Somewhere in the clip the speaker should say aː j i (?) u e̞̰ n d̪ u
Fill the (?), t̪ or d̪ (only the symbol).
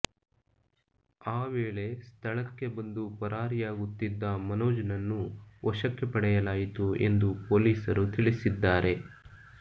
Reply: t̪